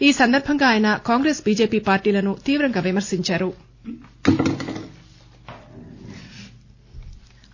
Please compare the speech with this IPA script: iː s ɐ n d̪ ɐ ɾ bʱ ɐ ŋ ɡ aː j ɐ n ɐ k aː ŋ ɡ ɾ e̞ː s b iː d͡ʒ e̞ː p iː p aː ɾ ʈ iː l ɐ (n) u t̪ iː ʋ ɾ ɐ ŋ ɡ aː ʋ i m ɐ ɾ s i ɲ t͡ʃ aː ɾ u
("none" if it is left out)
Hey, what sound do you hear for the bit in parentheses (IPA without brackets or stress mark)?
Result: n